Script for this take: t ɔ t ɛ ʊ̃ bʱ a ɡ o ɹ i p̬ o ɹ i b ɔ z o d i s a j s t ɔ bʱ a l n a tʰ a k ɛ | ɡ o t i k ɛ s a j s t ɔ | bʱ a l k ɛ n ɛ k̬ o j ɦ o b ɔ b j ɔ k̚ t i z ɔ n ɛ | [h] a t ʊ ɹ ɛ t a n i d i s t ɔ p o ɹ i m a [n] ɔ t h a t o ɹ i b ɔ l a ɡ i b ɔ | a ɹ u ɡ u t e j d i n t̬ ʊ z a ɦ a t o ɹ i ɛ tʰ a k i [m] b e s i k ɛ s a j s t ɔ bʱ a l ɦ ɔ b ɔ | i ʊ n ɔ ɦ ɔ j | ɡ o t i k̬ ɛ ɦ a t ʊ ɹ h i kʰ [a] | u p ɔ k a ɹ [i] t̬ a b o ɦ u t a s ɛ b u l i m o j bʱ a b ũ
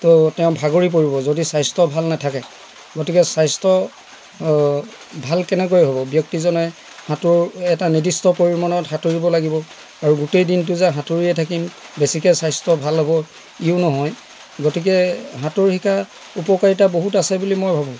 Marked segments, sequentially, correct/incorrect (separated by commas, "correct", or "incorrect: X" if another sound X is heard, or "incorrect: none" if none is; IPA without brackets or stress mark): correct, correct, correct, correct, correct